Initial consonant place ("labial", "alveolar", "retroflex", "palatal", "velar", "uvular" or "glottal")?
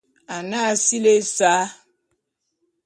alveolar